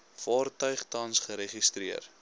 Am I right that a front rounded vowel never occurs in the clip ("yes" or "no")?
no